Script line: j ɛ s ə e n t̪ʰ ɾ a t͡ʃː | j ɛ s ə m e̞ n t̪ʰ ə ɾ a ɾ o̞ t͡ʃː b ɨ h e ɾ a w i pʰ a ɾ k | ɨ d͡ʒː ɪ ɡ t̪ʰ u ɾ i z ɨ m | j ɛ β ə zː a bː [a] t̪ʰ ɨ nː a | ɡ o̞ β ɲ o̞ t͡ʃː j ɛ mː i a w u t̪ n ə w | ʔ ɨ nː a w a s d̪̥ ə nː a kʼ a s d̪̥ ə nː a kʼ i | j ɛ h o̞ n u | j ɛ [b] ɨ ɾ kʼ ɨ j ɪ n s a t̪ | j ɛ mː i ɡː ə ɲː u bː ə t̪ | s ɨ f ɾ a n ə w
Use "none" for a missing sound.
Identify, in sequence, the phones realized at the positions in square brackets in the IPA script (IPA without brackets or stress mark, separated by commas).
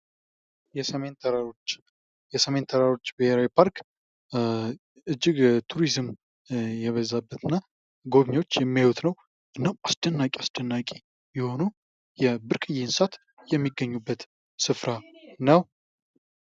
ə, b